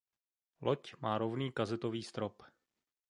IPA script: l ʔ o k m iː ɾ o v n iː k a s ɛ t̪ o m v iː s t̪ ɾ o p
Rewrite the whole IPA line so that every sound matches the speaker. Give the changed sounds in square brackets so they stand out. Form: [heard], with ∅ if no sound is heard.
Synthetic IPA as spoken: l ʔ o [c] m [aː] ɾ o v n iː k a [z] ɛ t̪ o [∅] v iː s t̪ ɾ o p